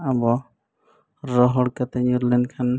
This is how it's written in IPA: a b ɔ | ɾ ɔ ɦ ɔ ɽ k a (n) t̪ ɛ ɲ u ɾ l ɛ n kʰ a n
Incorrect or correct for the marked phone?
incorrect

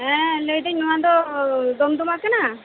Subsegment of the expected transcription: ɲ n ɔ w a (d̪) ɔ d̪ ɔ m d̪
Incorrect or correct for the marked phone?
correct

